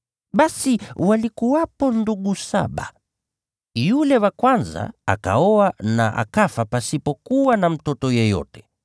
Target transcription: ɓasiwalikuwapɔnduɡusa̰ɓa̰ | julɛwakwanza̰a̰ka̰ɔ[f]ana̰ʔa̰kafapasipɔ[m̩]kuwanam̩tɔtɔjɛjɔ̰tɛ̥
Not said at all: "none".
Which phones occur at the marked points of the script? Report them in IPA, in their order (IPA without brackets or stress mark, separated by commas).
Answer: none, none